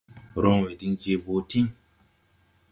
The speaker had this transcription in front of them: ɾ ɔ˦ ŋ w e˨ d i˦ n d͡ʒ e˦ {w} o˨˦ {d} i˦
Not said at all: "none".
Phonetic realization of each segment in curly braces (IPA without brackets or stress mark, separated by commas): b, t